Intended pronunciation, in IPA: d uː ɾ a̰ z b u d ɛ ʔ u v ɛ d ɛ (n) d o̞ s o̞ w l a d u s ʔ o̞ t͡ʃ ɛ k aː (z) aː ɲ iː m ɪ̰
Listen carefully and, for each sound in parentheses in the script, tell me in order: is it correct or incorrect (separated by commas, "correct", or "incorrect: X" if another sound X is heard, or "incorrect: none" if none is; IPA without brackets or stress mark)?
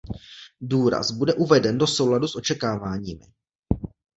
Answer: correct, incorrect: v